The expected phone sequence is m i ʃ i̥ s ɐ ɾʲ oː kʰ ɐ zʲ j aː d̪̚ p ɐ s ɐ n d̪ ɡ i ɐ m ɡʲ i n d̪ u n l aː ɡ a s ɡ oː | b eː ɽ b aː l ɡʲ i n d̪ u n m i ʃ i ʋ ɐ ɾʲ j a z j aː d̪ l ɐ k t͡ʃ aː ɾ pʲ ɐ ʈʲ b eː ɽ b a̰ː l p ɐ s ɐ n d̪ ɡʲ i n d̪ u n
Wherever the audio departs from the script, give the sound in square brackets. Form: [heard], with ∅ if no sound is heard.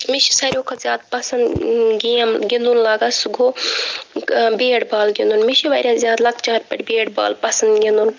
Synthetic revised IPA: m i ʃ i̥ s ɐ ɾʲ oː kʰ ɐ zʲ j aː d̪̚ p ɐ s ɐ n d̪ ɡ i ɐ m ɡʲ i n d̪ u n l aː ɡ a s ɡ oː | b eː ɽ b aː l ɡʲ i n d̪ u n m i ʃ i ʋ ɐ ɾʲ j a z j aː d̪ l ɐ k t͡ʃ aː ɾ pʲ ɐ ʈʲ b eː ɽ b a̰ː l p ɐ s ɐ n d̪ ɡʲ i n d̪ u n